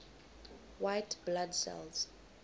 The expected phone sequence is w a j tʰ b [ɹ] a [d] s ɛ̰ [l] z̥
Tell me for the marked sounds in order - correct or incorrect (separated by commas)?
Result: incorrect, correct, correct